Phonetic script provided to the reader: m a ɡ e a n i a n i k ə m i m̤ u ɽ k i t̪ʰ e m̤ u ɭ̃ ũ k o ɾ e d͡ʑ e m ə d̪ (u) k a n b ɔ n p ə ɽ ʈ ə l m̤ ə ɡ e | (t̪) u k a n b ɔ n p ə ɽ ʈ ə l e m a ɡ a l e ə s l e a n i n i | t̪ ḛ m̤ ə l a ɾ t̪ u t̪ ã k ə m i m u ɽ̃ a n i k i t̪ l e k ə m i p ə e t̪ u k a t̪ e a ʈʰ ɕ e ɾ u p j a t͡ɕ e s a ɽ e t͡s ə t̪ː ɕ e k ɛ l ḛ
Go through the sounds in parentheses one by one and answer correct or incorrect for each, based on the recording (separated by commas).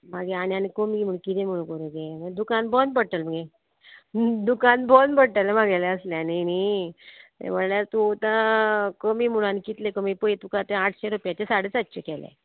correct, incorrect